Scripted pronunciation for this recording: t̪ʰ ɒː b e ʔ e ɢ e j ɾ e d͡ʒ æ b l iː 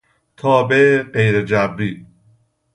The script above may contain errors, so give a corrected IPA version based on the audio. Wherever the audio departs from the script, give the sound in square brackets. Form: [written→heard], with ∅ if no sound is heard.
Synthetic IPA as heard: t̪ʰ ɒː b e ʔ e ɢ e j ɾ e d͡ʒ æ b [l→ɾ] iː